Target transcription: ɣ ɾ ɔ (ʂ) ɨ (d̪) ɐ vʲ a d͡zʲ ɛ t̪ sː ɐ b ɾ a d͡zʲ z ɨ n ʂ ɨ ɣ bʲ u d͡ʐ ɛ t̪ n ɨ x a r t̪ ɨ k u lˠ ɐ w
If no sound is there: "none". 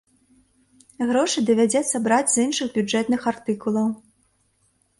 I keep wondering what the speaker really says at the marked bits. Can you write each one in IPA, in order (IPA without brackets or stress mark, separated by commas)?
ʂ, d̪